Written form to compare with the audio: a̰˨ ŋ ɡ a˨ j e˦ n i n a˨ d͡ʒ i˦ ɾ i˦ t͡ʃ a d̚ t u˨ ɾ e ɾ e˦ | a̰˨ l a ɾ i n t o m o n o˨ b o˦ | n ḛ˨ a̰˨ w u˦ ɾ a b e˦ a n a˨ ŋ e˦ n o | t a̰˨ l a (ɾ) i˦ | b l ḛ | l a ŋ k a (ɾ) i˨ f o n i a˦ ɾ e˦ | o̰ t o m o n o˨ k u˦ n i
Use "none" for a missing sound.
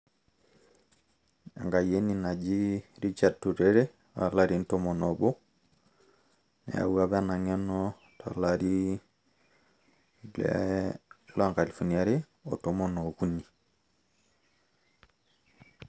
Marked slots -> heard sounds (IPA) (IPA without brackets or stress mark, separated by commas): ɾ, l